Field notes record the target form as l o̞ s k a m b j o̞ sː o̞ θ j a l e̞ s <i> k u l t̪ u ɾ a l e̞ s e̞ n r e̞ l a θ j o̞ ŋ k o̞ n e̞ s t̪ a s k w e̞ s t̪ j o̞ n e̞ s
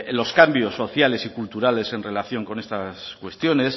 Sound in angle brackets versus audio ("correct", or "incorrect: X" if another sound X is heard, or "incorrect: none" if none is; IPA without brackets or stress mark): correct